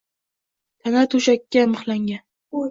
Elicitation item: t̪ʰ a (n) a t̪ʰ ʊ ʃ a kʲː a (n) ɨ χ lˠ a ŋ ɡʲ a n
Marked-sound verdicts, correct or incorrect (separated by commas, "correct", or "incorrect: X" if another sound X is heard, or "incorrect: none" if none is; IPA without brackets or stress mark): correct, incorrect: m